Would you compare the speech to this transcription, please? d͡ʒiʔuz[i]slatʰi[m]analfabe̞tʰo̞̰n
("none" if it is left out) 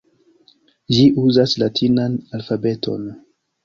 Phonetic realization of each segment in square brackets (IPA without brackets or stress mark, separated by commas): a, n